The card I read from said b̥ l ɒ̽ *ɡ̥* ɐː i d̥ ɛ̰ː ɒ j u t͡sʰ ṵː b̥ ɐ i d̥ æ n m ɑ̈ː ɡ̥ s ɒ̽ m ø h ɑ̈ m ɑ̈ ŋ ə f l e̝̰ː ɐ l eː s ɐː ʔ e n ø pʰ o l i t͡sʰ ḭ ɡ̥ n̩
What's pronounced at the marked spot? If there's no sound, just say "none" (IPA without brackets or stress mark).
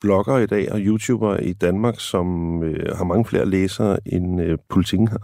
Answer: ɡ̥